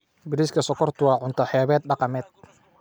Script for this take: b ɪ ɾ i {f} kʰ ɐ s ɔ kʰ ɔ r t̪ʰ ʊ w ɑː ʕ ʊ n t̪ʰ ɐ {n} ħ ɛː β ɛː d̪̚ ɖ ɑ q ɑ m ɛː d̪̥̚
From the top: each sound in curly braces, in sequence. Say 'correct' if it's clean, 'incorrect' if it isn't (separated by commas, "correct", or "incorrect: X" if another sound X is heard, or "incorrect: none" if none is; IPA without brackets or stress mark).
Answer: incorrect: s, incorrect: none